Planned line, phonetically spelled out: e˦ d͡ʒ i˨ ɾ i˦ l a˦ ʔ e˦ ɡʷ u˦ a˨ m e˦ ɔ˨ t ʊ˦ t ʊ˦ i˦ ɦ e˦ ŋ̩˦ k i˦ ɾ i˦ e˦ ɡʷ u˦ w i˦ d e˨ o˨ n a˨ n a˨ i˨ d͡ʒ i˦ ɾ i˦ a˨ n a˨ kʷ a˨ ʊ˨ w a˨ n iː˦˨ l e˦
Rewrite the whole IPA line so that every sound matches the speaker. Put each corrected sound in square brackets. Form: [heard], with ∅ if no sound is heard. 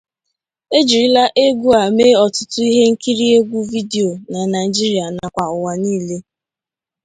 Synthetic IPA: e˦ d͡ʒ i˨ ɾ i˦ l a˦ ʔ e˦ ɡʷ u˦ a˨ m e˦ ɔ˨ t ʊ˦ t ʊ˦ i˦ ɦ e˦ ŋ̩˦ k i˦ ɾ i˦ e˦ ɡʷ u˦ [v] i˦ d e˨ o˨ n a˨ n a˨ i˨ d͡ʒ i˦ ɾ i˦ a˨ n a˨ kʷ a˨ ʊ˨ w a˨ n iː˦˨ l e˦